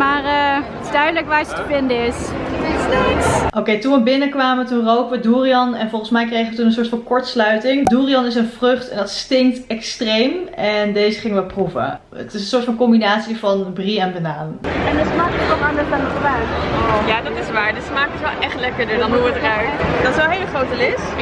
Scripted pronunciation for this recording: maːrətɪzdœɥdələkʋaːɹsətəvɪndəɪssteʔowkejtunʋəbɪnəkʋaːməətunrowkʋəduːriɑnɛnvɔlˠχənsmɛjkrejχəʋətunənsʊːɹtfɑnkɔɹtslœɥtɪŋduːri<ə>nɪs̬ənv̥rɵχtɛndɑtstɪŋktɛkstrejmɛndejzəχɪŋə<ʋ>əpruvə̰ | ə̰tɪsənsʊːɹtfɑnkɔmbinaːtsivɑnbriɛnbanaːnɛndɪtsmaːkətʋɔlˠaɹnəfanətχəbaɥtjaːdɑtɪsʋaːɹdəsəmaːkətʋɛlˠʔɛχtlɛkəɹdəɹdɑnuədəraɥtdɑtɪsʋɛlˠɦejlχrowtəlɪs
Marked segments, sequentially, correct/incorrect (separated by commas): incorrect, correct